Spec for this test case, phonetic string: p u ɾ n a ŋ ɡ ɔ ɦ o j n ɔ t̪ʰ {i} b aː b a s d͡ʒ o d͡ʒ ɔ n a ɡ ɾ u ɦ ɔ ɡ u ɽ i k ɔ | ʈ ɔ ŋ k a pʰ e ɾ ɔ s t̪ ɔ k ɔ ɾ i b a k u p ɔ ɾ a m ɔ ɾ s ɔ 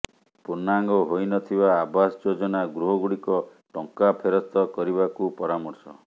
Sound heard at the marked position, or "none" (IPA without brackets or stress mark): i